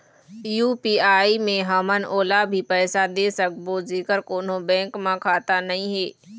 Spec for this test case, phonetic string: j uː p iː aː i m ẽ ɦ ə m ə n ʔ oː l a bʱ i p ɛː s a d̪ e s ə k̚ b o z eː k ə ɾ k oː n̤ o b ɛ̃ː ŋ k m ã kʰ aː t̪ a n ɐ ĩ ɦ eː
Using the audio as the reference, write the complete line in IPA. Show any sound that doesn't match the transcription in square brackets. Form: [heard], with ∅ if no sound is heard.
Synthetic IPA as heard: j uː p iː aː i m ẽ ɦ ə m ə n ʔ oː l a bʱ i p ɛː s a d̪ e s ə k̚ b o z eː k ə ɾ k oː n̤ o b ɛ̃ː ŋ k m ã kʰ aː t̪ a n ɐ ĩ ɦ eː